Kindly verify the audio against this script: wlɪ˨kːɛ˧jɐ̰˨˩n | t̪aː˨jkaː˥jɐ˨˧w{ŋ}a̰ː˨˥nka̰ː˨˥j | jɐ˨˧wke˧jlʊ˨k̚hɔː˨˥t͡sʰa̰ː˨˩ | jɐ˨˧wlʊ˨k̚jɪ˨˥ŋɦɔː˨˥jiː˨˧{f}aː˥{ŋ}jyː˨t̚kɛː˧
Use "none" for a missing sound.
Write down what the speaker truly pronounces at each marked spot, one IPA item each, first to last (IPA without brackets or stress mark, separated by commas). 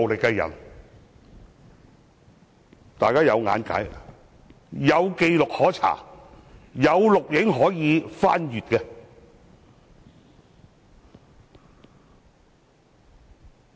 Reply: ŋ, f, n